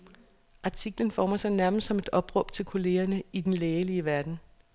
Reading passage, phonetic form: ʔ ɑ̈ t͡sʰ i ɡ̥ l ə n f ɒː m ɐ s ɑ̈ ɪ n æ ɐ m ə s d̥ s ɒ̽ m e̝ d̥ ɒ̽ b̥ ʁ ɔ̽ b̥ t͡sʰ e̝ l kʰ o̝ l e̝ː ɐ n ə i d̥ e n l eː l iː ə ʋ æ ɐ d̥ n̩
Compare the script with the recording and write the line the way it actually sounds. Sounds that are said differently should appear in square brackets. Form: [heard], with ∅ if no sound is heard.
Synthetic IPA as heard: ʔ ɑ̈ t͡sʰ i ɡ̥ l ə n f ɒː m ɐ s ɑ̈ ɪ n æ ɐ m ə s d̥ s ɒ̽ m e̝ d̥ ɒ̽ b̥ ʁ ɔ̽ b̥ t͡sʰ e̝ l kʰ o̝ l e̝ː ɐ n ə i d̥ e n l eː l [i] ə ʋ æ ɐ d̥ n̩